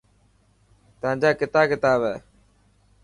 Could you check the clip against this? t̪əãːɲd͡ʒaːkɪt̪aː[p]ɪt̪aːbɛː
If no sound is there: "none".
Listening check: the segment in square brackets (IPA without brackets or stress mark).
k